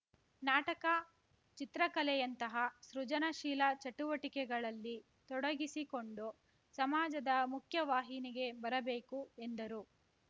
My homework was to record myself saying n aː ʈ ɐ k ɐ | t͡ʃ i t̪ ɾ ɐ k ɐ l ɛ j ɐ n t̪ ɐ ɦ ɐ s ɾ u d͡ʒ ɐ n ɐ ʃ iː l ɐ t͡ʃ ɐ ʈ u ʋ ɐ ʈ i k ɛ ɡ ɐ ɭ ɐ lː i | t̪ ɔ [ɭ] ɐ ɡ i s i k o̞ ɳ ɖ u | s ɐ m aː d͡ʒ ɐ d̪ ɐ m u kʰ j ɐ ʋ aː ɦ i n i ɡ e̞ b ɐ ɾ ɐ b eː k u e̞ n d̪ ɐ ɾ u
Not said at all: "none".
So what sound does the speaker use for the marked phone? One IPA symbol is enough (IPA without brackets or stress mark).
ɽ